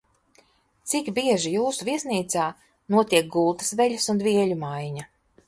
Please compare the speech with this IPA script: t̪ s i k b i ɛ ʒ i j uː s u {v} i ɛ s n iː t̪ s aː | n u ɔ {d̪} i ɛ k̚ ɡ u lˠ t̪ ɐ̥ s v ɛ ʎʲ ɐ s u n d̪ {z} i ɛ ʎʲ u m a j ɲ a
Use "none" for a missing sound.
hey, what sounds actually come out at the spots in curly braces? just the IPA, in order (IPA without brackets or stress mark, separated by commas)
v, t̪, v